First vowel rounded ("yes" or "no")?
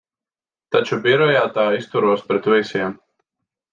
no